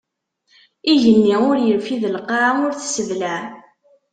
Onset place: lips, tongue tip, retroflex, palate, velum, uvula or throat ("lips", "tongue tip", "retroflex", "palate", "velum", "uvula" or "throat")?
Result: palate